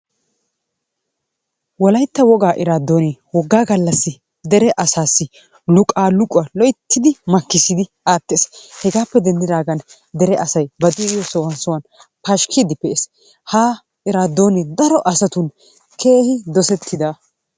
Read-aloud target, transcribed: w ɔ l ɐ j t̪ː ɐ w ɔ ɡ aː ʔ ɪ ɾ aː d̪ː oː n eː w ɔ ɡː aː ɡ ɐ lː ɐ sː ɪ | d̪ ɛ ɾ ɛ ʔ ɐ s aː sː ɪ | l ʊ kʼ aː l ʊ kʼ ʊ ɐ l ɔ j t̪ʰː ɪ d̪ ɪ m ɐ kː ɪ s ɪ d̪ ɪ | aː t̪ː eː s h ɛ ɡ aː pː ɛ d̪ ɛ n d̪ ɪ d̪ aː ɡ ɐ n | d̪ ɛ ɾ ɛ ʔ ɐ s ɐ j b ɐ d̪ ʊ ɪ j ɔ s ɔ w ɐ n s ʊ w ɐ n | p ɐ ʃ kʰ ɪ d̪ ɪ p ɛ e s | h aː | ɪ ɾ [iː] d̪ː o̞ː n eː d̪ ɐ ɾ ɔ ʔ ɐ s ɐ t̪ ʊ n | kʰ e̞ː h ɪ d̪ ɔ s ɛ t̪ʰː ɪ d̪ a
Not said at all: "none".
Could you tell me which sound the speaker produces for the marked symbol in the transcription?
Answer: aː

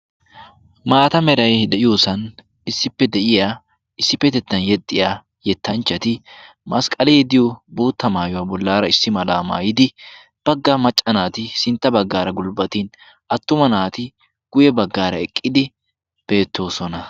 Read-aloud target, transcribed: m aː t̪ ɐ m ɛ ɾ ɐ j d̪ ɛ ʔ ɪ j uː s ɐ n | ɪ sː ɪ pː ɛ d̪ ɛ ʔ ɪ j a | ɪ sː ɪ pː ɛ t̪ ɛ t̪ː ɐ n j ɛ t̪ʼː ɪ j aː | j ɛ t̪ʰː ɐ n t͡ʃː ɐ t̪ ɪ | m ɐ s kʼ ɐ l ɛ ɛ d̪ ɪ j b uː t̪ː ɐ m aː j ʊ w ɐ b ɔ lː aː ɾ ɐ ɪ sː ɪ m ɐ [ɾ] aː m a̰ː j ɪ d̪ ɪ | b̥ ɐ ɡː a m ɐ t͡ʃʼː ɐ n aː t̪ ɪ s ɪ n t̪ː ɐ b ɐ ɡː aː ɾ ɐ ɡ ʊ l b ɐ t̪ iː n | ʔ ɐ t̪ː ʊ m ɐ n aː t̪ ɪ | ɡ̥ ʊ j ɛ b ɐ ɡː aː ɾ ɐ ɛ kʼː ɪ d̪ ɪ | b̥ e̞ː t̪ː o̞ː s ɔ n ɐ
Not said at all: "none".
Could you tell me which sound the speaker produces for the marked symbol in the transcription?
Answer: l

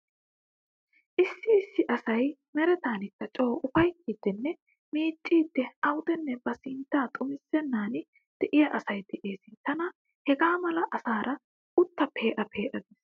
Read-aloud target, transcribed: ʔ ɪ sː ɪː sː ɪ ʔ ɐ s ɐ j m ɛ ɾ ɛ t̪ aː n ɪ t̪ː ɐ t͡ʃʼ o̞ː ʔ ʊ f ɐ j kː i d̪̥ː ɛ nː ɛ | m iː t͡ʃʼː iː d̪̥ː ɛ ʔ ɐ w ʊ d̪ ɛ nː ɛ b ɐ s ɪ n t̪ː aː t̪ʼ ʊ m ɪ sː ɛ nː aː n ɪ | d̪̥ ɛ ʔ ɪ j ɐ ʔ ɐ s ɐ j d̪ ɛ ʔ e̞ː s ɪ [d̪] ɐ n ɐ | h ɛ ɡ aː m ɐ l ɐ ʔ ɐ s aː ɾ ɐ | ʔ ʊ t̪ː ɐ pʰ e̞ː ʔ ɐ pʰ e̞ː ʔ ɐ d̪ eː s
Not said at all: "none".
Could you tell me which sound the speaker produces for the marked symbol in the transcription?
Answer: t̪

